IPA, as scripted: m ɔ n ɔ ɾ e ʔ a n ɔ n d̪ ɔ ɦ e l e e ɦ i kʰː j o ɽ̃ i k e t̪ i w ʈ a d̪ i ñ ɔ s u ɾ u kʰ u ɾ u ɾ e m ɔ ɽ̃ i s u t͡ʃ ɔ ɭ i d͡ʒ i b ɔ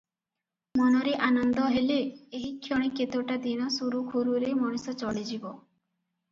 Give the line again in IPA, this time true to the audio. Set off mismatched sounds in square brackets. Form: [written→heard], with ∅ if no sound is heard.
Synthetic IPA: m ɔ n ɔ ɾ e ʔ a n ɔ n d̪ ɔ ɦ e l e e ɦ i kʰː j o ɽ̃ i k e t̪ [i→e] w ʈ a d̪ i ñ ɔ s u ɾ u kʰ u ɾ u ɾ e m ɔ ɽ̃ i s [u→ɔ] t͡ʃ ɔ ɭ i d͡ʒ i b ɔ